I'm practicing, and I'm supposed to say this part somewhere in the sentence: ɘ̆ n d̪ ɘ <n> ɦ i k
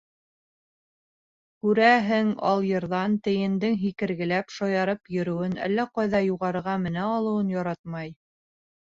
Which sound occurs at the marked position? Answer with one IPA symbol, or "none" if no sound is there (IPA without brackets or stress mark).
ŋ